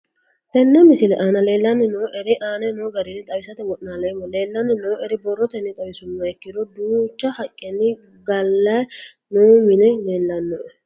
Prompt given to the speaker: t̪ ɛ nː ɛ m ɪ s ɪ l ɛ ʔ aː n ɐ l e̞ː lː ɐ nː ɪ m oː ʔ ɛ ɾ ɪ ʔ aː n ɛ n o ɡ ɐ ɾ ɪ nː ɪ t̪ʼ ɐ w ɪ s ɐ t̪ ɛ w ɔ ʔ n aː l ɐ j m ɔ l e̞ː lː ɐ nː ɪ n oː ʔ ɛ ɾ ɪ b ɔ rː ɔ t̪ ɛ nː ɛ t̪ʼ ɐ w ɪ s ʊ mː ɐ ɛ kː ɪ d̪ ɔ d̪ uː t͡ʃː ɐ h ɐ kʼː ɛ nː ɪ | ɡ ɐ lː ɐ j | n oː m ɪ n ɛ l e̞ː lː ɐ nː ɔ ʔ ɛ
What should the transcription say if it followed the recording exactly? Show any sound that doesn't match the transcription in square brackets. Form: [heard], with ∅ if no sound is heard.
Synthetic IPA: t̪ ɛ nː ɛ m ɪ s ɪ l ɛ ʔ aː n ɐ l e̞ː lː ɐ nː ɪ [n] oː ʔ ɛ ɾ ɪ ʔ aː n ɛ n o ɡ ɐ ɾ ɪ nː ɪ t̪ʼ ɐ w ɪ s ɐ t̪ ɛ w ɔ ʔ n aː l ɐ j m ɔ l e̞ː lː ɐ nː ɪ n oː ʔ ɛ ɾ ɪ b ɔ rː ɔ t̪ ɛ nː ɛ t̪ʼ ɐ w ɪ s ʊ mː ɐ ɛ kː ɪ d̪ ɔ d̪ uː t͡ʃː ɐ h ɐ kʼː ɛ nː ɪ | ɡ ɐ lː ɐ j | n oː m ɪ n ɛ l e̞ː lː ɐ nː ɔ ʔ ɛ